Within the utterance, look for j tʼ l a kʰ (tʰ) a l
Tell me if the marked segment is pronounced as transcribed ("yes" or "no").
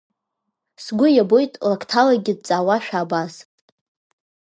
yes